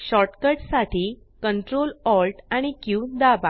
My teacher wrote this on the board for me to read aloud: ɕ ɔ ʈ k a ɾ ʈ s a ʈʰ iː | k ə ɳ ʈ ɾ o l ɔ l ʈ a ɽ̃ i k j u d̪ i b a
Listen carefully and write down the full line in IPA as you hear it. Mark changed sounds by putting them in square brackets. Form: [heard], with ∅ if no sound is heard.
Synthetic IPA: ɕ ɔ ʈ k [ə] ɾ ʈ s a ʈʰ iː | k ə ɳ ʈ ɾ o l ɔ l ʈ a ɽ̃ i k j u d̪ [a] b a